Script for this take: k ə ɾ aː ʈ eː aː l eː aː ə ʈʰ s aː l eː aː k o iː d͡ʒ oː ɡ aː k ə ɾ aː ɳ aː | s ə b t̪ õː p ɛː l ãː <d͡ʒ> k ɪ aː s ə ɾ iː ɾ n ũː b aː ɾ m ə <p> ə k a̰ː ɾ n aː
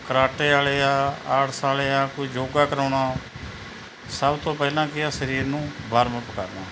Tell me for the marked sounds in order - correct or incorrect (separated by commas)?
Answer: incorrect, correct